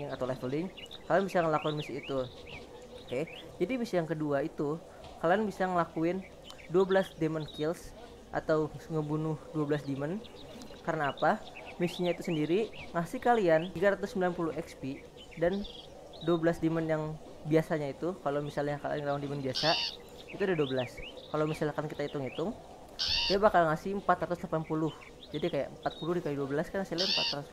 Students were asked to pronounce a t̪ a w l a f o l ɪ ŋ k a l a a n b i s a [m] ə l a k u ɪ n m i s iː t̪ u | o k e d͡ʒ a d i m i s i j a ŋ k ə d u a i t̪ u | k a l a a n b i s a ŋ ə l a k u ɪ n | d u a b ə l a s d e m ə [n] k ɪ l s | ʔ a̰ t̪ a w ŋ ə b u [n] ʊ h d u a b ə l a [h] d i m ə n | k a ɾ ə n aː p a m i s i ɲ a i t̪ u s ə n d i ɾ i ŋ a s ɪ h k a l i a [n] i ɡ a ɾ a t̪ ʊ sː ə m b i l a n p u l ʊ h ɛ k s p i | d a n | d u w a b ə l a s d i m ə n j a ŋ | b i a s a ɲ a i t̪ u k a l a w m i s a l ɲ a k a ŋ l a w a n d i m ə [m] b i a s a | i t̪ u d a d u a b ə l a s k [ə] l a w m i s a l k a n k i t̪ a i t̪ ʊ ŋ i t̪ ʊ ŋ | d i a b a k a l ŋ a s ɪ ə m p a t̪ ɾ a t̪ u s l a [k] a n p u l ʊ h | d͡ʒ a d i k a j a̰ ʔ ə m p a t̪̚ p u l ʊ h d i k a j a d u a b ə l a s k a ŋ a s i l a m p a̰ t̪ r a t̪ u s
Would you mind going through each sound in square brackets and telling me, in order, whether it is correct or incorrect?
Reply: incorrect, correct, correct, incorrect, correct, incorrect, incorrect, incorrect

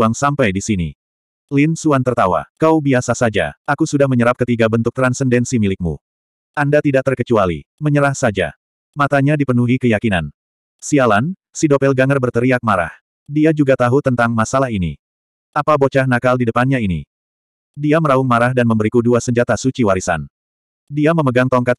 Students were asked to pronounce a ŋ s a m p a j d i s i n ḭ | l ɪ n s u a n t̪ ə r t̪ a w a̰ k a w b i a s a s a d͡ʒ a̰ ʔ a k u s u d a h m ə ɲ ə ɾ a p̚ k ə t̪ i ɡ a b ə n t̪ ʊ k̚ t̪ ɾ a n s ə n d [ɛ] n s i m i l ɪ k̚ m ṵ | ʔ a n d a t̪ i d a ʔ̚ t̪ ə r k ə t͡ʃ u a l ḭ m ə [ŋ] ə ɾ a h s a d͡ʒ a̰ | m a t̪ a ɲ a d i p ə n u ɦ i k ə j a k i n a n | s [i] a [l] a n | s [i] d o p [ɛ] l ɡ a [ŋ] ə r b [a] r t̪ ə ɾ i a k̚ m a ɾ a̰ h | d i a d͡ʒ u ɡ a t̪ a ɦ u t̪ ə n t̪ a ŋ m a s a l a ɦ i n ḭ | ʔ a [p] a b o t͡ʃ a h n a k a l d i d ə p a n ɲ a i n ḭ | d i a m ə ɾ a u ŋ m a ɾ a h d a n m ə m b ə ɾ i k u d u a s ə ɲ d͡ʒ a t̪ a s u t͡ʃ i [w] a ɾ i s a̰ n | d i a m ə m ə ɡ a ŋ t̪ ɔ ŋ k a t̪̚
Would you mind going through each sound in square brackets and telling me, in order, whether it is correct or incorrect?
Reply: correct, incorrect, correct, correct, correct, correct, correct, incorrect, correct, correct

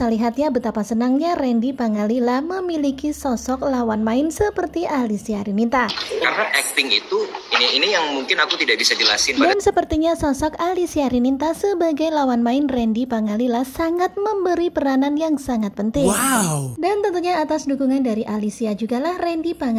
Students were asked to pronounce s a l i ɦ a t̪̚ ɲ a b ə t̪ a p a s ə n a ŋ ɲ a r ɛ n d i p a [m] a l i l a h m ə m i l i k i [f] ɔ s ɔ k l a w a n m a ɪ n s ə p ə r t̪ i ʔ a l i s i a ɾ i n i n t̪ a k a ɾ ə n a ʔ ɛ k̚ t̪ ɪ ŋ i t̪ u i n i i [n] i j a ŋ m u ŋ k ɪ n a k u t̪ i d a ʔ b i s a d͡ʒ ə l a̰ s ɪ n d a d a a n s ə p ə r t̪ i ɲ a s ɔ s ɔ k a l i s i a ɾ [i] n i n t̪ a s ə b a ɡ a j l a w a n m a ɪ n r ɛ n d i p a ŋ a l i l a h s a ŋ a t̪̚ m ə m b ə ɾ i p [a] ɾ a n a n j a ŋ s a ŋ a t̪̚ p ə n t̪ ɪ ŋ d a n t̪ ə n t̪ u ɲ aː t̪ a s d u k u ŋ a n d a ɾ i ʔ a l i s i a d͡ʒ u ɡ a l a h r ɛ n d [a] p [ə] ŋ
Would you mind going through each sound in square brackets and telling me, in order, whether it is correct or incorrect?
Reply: incorrect, incorrect, correct, correct, incorrect, incorrect, incorrect

